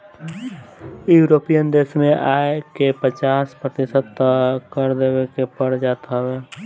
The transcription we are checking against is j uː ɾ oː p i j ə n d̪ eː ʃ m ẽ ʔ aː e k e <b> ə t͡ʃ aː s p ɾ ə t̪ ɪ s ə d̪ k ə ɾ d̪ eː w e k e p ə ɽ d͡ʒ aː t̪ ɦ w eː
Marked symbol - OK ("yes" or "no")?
no